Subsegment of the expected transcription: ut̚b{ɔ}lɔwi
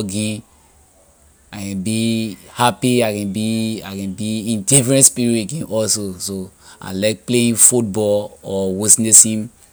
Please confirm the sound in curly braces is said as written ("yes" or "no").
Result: yes